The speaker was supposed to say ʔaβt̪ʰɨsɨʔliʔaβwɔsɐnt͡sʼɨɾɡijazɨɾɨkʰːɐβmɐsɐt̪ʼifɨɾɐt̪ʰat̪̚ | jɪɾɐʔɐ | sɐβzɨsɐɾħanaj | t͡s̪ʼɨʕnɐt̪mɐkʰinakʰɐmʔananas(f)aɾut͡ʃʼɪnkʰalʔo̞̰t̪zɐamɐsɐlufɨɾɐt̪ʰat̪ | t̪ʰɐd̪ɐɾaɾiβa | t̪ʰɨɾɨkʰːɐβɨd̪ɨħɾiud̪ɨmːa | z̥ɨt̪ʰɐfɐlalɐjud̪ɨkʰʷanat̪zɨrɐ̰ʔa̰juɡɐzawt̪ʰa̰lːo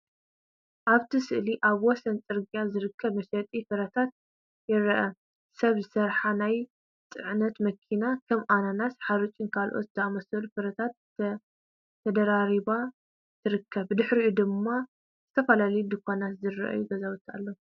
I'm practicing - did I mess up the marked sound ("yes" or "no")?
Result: yes